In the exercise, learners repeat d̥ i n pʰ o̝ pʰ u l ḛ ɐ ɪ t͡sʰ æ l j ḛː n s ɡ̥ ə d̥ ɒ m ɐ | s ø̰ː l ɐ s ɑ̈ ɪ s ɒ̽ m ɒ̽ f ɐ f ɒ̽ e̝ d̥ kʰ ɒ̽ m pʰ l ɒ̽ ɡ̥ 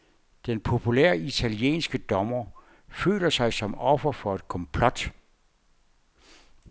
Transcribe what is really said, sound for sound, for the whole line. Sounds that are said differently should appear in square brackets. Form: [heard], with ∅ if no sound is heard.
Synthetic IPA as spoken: d̥ [e] n pʰ o̝ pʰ u l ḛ ɐ [i] t͡sʰ æ l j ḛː n s ɡ̥ ə d̥ ɒ m ɐ | [f] ø̰ː l ɐ s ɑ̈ ɪ s ɒ̽ m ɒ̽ f ɐ f ɒ̽ e̝ d̥ kʰ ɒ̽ m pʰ l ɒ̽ [d̥]

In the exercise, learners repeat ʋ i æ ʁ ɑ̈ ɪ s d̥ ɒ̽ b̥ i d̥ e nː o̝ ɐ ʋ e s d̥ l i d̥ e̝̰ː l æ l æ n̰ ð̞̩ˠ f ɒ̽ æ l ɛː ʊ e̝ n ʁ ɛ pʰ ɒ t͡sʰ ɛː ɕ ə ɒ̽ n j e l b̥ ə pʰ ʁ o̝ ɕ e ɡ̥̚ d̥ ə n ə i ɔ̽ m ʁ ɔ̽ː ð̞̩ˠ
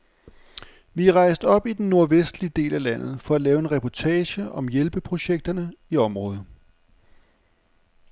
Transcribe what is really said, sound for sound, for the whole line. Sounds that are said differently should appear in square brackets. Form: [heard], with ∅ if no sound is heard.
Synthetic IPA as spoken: ʋ i æ ʁ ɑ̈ ɪ s d̥ ɒ̽ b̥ i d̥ e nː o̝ ɐ ʋ e s d̥ l i d̥ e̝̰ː l æ l æ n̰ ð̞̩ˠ f ɒ̽ æ l ɛː ʊ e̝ n ʁ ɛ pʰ ɒ t͡sʰ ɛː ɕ ə ɒ̽ [m] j e l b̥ ə pʰ ʁ o̝ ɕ e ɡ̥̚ d̥ [ɐ] n ə i [ɒ̽] m ʁ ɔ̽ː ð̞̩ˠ

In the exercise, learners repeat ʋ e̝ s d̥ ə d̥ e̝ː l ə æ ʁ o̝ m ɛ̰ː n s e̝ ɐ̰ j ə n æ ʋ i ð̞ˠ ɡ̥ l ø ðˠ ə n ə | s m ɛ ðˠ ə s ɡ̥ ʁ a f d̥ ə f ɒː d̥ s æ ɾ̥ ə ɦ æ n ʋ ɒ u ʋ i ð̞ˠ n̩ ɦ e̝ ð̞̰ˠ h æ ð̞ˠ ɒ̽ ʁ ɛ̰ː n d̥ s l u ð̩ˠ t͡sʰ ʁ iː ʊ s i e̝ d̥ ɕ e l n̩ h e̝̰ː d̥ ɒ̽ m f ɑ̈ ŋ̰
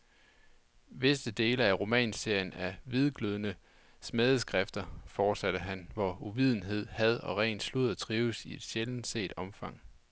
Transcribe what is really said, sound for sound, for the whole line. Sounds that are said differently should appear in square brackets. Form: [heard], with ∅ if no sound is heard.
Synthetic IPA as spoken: ʋ e̝ s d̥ ə d̥ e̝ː l ə æ ʁ o̝ m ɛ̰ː n s e̝ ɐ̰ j ə n æ ʋ i ð̞ˠ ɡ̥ l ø ðˠ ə n ə | s m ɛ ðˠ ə s ɡ̥ ʁ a f d̥ [ɐ] f ɒː d̥ s æ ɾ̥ ə ɦ æ n ʋ ɒ u ʋ i ð̞ˠ n̩ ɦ e̝ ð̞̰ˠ h æ ð̞ˠ ɒ̽ ʁ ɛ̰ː n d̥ s l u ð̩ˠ t͡sʰ ʁ iː ʊ s i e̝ d̥ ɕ e l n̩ [s] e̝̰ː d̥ ɒ̽ m f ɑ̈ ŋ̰

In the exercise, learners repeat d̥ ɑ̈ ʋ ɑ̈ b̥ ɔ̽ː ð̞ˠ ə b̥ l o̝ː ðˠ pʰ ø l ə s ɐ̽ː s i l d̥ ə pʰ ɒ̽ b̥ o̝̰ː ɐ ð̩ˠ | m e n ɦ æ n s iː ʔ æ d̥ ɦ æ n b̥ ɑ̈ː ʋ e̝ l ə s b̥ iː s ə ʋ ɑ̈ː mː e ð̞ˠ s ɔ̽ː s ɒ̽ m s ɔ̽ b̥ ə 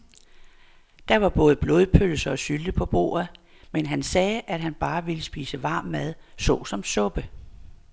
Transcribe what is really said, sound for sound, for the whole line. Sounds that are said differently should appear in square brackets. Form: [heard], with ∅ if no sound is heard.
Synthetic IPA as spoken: d̥ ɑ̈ ʋ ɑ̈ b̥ ɔ̽ː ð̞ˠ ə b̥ l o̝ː ðˠ pʰ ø l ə s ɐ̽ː s [y] l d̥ ə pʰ ɒ̽ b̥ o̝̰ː ɐ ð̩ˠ | m e n ɦ æ n s [ɛː] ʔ æ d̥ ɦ æ n b̥ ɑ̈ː ʋ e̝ l ə s b̥ iː s ə ʋ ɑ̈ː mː [æ] ð̞ˠ s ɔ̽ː s ɒ̽ m s ɔ̽ b̥ ə

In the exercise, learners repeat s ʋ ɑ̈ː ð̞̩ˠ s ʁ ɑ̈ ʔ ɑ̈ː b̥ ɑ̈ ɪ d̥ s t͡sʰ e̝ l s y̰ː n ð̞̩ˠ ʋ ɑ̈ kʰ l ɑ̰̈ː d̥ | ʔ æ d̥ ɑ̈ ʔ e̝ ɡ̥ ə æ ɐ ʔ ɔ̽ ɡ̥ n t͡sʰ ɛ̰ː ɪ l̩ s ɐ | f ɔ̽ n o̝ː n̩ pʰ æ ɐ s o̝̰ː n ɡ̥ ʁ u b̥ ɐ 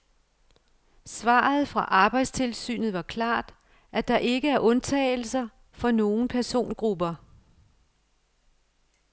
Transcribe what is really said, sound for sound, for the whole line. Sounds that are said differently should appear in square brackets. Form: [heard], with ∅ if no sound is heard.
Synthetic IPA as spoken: s ʋ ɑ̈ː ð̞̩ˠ [f] ʁ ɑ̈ ʔ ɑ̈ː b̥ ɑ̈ ɪ d̥ s t͡sʰ e̝ l s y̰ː n ð̞̩ˠ ʋ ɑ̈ kʰ l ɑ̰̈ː d̥ | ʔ æ d̥ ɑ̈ ʔ e̝ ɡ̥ ə æ ɐ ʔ ɔ̽ [∅] n t͡sʰ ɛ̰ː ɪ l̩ s ɐ | f [ɒ̽] n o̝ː n̩ pʰ æ ɐ s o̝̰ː n ɡ̥ ʁ u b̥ ɐ

